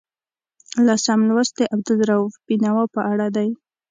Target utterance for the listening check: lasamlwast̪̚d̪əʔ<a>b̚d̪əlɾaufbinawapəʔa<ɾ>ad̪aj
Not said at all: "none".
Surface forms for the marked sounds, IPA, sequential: a, ɽ

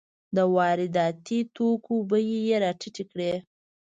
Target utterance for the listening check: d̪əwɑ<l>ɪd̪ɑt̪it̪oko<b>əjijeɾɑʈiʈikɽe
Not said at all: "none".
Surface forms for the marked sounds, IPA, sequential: ɾ, b

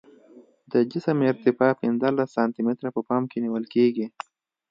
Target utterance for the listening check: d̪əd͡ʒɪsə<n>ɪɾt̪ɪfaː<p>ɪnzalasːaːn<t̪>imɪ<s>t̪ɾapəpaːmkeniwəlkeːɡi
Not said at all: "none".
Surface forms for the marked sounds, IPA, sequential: m, p, t̪, none

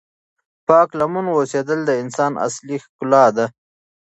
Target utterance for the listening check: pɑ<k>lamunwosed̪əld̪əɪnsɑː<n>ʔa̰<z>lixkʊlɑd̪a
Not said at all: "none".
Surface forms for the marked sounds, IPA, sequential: k, n, s

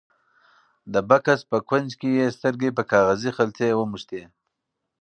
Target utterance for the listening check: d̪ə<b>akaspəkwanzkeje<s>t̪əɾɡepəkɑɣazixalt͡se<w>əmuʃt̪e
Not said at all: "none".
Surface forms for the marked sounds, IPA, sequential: b, s, w

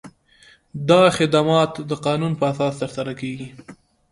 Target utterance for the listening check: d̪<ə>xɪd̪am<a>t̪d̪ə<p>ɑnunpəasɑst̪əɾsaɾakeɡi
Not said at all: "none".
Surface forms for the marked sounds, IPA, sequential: ɑ, ɑ, q

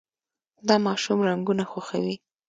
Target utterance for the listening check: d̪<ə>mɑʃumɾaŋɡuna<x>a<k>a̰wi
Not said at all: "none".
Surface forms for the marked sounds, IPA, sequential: ɑ, x, x

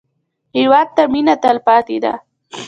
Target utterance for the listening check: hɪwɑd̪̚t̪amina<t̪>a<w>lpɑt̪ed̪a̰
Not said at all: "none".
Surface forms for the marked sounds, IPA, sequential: t̪, none

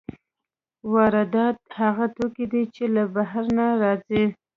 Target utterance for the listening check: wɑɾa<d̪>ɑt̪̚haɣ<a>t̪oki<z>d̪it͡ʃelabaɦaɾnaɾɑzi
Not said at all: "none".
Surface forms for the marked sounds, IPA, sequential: d̪, a, none

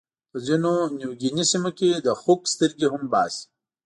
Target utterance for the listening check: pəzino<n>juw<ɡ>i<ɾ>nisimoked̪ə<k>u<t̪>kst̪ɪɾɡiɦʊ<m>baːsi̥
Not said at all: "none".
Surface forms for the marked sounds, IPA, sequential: n, ɡ, none, x, none, m

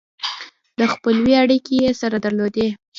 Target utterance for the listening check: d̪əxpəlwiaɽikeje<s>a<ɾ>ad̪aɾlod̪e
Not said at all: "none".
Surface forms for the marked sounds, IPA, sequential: s, ɾ

